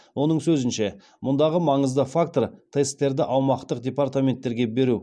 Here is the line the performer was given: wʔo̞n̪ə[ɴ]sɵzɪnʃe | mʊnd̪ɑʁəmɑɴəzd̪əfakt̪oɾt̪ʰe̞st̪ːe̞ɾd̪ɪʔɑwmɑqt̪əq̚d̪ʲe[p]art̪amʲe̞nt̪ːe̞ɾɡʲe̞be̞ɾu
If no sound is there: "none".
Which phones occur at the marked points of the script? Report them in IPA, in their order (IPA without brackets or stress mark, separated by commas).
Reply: ɴ, p